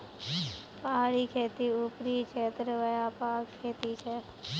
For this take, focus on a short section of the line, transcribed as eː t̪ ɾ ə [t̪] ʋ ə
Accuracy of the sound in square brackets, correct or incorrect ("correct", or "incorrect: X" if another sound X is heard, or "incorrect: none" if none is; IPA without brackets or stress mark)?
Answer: incorrect: none